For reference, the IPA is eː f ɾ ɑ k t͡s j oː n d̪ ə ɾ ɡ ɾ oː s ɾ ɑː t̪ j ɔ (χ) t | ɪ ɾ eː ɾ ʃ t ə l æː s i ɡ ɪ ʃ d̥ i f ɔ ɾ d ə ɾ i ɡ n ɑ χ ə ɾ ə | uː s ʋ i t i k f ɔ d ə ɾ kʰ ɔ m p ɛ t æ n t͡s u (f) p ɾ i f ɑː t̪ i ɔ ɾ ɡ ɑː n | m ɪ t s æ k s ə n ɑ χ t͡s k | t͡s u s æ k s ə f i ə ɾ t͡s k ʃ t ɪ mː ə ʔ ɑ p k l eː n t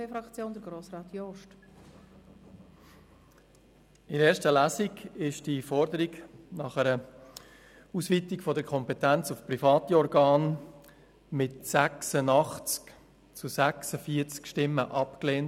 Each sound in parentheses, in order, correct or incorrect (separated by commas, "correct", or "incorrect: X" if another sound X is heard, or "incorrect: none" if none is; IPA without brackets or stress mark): incorrect: ʃ, correct